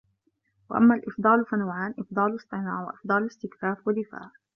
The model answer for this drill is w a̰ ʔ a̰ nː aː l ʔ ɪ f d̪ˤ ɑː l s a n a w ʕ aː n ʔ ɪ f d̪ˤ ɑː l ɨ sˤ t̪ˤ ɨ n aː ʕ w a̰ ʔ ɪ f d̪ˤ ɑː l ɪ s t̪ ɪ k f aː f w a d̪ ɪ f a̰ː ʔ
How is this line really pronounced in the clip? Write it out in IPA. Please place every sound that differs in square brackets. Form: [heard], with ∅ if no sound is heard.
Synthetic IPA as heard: w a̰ ʔ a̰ [mː] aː l ʔ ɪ f d̪ˤ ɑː l [f] a n a w ʕ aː n ʔ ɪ f d̪ˤ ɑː l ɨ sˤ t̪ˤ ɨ n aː ʕ w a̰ ʔ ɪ f d̪ˤ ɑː l ɪ s t̪ ɪ k f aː f w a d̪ ɪ f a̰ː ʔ